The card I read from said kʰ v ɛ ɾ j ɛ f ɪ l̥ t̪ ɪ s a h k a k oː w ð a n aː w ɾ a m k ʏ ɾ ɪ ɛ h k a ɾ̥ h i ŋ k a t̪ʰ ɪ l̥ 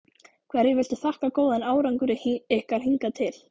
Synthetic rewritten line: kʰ v ɛ ɾ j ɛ v ɪ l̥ t̪ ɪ θ a h k a k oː w ð a n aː w ɾ a ŋ k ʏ ɾ ɪ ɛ h k a ɾ̥ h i ŋ k a t̪ʰ ɪ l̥